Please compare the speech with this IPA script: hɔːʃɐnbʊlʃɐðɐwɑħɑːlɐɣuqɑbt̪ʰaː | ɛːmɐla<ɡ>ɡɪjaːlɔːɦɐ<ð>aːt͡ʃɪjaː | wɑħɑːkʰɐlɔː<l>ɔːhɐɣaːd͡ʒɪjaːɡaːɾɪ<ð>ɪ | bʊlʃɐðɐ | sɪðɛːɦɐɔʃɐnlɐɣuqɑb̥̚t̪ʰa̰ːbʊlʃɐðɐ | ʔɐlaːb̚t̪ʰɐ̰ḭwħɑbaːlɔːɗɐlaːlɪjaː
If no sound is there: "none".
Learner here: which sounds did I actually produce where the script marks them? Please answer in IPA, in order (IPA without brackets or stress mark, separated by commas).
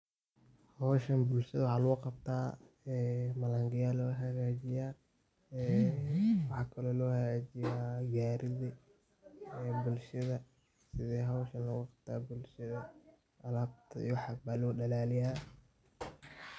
ŋ, ɣ, l, ð